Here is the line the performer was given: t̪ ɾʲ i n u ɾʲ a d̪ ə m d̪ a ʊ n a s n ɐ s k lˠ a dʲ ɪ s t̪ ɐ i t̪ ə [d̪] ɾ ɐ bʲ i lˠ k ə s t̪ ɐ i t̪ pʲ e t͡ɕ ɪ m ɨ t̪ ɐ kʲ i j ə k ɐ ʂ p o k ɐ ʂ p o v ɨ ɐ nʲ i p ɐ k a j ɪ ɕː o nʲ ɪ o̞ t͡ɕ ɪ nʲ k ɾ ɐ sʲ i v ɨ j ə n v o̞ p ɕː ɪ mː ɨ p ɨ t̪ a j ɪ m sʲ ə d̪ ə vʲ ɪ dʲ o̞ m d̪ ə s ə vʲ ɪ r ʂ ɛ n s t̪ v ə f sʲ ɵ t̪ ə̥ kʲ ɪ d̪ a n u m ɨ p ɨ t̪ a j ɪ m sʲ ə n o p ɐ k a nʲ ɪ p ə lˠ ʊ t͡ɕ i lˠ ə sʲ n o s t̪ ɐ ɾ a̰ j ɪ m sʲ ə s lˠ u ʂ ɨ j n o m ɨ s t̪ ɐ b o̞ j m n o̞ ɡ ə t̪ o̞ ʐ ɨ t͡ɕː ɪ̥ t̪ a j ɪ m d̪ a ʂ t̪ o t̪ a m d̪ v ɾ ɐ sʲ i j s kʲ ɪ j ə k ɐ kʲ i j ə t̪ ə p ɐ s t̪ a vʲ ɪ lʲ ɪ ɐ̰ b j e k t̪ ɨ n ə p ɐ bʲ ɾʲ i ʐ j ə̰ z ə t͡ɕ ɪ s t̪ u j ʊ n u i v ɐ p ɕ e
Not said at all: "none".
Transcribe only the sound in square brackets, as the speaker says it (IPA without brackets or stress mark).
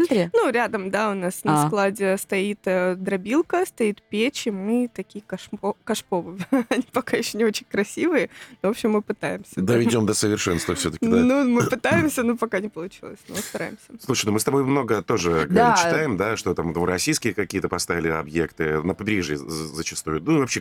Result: d̪